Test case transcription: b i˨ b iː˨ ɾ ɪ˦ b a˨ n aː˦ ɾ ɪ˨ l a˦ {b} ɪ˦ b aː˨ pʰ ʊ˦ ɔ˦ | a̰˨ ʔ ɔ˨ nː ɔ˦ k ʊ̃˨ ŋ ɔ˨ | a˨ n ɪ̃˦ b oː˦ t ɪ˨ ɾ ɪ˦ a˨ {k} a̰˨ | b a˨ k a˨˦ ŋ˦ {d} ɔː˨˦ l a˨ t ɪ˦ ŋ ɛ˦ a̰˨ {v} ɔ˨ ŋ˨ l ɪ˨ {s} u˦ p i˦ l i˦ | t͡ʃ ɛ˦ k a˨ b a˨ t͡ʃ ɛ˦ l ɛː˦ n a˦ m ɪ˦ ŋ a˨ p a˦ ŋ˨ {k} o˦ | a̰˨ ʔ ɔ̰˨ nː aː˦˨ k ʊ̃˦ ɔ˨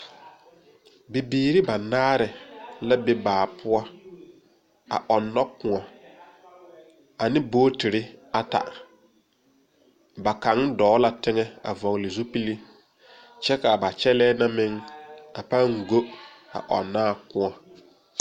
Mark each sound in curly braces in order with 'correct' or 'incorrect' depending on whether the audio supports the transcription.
correct, incorrect, correct, correct, incorrect, incorrect

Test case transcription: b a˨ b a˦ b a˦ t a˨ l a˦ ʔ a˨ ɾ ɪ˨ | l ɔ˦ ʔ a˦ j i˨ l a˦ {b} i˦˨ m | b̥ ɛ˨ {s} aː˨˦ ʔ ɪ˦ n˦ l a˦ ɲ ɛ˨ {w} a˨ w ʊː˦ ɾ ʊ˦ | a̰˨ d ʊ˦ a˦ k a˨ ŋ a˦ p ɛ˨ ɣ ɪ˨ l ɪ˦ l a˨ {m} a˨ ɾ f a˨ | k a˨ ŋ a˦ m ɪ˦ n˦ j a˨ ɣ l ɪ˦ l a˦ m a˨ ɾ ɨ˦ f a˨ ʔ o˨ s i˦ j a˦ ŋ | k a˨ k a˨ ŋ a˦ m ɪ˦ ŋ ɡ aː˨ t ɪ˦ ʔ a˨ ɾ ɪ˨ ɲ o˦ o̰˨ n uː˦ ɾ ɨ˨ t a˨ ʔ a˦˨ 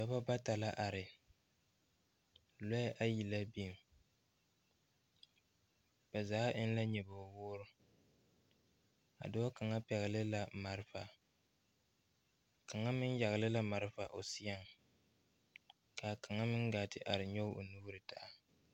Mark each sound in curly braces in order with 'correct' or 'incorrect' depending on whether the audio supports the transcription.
correct, incorrect, incorrect, correct

